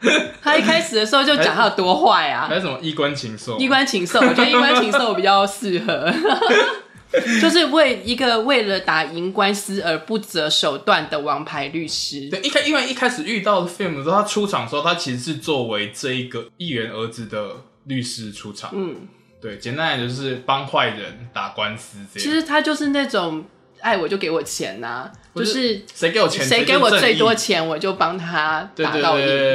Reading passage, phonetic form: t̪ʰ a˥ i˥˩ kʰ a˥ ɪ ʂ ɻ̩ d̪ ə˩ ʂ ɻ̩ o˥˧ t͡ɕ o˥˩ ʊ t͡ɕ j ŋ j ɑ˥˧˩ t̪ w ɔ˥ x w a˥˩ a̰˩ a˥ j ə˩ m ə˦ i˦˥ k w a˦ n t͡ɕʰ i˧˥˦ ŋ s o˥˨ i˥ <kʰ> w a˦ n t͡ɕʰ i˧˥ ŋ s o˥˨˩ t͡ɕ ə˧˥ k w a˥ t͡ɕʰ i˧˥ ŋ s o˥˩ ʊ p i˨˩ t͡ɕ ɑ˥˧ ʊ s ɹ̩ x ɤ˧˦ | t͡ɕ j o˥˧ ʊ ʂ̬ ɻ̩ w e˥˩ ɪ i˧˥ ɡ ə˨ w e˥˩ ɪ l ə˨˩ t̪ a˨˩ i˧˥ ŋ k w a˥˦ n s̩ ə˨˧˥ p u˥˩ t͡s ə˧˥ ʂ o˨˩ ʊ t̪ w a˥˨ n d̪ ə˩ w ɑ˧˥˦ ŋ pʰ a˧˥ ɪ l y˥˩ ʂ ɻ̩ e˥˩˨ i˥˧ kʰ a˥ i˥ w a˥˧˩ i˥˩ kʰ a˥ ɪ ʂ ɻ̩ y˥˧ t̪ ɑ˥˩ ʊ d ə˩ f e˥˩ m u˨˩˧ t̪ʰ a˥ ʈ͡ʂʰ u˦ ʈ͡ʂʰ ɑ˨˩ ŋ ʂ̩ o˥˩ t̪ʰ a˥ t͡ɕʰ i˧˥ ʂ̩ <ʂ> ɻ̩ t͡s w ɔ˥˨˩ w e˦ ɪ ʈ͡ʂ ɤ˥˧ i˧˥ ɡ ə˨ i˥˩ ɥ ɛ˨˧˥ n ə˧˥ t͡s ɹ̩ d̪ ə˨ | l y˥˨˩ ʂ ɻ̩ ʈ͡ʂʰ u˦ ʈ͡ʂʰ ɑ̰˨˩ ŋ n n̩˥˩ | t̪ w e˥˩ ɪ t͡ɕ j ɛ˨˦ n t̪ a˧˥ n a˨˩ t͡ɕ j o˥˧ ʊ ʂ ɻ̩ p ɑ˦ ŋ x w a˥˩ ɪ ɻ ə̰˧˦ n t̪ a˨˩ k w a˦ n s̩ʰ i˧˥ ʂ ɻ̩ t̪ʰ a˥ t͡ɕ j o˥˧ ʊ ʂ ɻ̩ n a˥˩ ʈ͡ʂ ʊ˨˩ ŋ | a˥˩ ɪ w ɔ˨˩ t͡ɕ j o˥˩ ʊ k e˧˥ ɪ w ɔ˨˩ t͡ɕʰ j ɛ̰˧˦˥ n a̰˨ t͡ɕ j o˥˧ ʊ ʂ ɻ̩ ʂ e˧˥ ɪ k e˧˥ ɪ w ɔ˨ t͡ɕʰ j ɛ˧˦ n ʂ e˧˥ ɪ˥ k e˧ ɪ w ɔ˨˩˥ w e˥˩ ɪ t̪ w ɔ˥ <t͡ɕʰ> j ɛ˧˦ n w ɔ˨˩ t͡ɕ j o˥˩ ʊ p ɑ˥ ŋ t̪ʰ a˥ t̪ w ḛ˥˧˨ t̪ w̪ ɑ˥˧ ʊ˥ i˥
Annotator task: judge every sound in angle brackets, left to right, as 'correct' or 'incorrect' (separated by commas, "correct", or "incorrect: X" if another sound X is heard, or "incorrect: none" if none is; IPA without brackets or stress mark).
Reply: incorrect: k, correct, correct